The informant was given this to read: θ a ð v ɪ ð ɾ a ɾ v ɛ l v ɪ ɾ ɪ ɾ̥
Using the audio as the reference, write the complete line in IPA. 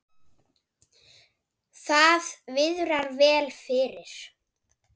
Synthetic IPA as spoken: θ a ð v ɪ ð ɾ a ɾ v ɛː l f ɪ ɾ ɪ ɾ̥

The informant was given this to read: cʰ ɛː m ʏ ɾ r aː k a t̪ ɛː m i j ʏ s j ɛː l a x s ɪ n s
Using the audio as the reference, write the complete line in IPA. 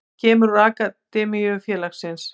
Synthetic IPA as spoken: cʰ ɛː m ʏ ɾ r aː k a t̪ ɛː m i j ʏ f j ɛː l a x s ɪ n s

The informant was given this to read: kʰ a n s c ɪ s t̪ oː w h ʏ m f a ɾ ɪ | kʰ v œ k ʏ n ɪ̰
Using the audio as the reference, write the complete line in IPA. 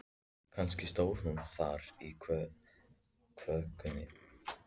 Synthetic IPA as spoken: kʰ a n s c ɪ s t̪ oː w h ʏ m θ a ɾ i | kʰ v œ k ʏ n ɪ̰

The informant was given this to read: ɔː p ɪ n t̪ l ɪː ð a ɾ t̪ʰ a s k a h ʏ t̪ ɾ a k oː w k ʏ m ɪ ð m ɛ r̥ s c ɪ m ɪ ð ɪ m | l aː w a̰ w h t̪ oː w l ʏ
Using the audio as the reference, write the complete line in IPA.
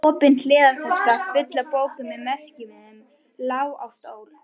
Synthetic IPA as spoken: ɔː p ɪ n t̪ l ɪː ð a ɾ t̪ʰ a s k a f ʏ t̪ l a p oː w k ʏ m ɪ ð m ɛ r̥ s c ɪ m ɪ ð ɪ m | l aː w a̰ w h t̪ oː w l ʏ

